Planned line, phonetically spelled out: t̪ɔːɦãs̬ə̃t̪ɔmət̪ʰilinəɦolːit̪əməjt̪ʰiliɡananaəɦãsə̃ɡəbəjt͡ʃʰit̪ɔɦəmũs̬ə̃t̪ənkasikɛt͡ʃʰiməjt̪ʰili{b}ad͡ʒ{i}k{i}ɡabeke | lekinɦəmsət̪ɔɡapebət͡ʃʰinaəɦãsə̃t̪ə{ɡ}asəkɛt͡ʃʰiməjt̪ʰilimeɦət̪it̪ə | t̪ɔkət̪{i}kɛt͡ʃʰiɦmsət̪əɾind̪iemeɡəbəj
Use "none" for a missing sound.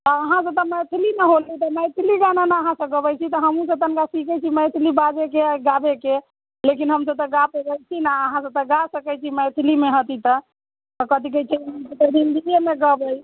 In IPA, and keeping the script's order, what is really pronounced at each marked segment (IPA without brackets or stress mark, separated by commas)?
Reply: b, e, e, ɡ, i